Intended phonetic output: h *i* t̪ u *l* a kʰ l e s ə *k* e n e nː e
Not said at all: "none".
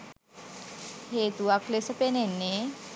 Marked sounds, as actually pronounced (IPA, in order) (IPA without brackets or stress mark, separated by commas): e, none, p